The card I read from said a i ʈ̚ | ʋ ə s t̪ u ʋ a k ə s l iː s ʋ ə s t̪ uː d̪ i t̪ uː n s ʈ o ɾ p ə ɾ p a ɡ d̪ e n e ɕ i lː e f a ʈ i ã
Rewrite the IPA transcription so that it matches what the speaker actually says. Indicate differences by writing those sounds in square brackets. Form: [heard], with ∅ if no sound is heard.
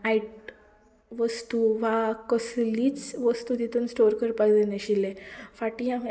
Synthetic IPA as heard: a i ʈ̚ | ʋ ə s t̪ u ʋ a k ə s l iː [t͡s] ʋ ə s t̪ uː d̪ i t̪ uː n s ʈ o ɾ [k] ə ɾ p a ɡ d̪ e n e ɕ i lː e f a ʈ i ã